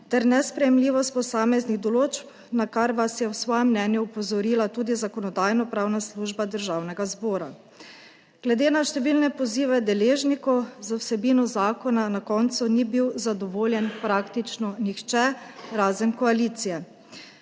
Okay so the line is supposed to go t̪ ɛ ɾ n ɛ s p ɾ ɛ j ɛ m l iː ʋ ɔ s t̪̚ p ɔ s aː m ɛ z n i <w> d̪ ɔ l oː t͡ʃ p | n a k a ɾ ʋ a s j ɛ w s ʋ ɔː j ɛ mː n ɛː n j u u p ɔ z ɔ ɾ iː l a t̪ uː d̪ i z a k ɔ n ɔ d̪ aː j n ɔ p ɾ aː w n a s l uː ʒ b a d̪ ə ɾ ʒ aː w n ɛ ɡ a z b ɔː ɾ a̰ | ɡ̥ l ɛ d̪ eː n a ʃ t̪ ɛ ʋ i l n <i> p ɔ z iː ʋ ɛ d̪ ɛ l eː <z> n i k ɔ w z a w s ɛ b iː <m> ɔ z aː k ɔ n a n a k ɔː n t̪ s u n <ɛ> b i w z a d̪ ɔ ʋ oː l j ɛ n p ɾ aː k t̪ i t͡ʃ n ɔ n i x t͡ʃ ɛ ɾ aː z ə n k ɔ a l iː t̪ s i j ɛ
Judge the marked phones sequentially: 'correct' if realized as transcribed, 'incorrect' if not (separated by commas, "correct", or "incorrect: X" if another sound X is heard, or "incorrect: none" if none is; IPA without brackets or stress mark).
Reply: incorrect: ɣ, incorrect: ɛ, incorrect: ʒ, incorrect: n, incorrect: i